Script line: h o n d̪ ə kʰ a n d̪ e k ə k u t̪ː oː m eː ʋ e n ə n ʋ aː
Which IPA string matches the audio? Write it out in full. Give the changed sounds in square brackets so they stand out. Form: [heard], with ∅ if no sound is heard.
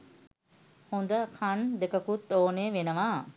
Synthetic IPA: h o n d̪ ə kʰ a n d̪ e k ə k u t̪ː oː [n] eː ʋ e n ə [∅] ʋ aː